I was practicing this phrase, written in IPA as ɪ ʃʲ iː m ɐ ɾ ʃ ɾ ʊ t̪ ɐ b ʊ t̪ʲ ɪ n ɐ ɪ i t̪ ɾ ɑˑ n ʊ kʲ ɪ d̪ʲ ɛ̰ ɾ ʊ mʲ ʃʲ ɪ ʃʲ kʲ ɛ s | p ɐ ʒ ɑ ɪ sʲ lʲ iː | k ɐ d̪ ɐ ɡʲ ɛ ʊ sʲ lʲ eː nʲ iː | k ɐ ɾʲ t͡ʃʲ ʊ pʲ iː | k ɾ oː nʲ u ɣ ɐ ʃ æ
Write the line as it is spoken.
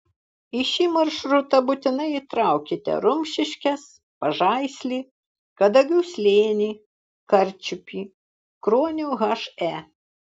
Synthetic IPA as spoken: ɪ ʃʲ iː m ɐ ɾ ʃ ɾ ʊ t̪ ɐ b ʊ t̪ʲ ɪ n ɐ ɪ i t̪ ɾ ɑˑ ʊ kʲ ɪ t̪ʲ ɛ̰ ɾ ʊ mʲ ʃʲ ɪ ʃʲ kʲ ɛ s | p ɐ ʒ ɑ ɪ sʲ lʲ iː | k ɐ d̪ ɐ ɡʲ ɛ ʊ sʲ lʲ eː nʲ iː | k ɐ ɾʲ t͡ʃʲ ʊ pʲ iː | k ɾ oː nʲ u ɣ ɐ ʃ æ